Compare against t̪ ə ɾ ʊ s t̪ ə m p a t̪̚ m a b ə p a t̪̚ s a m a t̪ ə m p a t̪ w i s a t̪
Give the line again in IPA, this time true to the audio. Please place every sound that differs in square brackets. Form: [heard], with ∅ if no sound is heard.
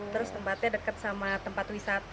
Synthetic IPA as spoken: t̪ ə ɾ ʊ s t̪ ə m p a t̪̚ [ɲ] a [d] ə [k] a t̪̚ s a m a t̪ ə m p a t̪ w i s a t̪

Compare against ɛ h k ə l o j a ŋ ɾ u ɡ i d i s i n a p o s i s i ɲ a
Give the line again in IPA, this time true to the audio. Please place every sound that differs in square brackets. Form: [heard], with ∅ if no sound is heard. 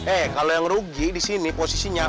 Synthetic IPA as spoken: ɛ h k [a] l o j a ŋ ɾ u ɡ i d i s i n [i] p o s i s i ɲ a

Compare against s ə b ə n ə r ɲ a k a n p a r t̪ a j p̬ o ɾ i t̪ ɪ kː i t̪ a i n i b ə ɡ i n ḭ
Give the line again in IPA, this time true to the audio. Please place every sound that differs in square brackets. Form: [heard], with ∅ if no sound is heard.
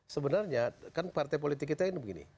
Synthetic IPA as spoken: s ə b ə n [a] r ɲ a k a n p a r t̪ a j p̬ o [l] i t̪ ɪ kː i t̪ a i n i b ə ɡ i n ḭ

